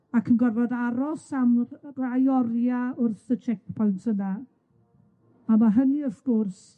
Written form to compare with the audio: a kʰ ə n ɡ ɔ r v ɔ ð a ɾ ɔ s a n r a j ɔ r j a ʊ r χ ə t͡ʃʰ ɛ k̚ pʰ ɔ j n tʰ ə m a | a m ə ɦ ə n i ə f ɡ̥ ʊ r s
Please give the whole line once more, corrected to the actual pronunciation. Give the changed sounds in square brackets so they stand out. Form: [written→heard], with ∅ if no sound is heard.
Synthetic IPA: a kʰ ə n ɡ ɔ r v ɔ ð a ɾ ɔ s a [n→m] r a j ɔ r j a ʊ r [χ→θ] ə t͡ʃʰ ɛ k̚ pʰ ɔ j n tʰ ə [m→n] a | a m [ə→a] ɦ ə n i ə f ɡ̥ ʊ r s